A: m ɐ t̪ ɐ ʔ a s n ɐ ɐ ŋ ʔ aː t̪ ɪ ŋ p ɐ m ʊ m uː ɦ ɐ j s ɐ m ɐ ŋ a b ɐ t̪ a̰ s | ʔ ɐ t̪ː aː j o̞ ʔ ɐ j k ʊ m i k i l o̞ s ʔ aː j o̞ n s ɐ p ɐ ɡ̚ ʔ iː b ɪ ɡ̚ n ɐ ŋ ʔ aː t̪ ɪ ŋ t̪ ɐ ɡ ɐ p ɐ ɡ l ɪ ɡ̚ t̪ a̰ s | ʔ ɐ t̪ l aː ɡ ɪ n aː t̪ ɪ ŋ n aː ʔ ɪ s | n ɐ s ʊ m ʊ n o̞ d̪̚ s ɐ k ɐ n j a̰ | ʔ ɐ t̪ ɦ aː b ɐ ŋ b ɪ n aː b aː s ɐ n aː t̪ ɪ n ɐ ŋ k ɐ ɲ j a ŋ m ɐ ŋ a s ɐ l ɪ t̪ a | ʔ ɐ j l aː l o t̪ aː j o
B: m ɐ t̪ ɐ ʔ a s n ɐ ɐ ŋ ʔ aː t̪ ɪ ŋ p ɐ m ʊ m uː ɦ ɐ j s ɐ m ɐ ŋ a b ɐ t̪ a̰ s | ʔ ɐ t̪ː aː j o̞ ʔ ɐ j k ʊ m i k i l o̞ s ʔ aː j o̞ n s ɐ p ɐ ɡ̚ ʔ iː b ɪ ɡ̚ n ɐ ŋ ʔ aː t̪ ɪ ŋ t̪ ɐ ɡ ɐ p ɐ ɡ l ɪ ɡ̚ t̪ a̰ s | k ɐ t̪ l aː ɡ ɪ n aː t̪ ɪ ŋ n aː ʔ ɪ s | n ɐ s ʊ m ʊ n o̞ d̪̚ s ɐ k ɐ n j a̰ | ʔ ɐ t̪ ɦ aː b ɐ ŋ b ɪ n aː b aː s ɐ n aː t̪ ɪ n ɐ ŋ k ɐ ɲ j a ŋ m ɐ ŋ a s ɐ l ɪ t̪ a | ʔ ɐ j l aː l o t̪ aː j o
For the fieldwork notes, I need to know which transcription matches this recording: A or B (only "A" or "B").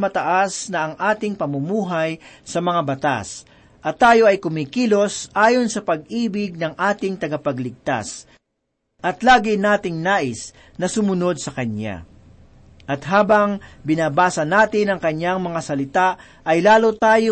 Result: A